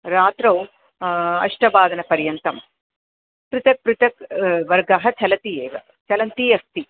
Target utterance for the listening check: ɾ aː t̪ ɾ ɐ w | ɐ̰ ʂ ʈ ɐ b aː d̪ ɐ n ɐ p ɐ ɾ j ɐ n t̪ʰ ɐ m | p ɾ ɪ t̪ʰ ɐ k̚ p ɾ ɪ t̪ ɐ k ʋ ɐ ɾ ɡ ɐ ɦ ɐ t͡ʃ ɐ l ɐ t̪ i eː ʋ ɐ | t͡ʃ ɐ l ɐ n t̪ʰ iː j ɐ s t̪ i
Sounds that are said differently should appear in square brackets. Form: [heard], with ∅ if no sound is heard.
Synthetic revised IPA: ɾ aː t̪ ɾ ɐ w | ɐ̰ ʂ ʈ ɐ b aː d̪ ɐ n ɐ p ɐ ɾ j ɐ n [t̪] ɐ m | p ɾ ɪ [t̪] ɐ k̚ p ɾ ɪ t̪ ɐ k ʋ ɐ ɾ ɡ ɐ ɦ ɐ t͡ʃ ɐ l ɐ t̪ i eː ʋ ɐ | t͡ʃ ɐ l ɐ n [t̪] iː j ɐ s t̪ i